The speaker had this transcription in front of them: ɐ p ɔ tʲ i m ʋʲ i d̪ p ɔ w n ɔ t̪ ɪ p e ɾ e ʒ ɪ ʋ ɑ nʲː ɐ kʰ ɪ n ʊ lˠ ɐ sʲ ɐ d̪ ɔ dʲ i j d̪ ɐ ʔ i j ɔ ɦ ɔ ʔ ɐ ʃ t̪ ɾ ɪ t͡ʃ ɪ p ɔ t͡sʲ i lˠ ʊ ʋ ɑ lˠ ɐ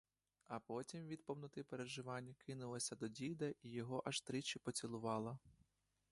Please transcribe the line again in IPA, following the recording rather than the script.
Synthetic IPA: ɐ p ɔ tʲ i m ʋʲ i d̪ p ɔ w n ɔ t̪ ɪ p e ɾ e ʒ ɪ ʋ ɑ nʲː ɐ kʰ ɪ n ʊ lˠ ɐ sʲ ɐ d̪ ɔ dʲ i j d̪ ɐ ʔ i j ɔ ɦ ɔ ʔ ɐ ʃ t̪ ɾ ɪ t͡ʃ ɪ p ɔ t͡sʲ i lˠ ʊ ʋ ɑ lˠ ɐ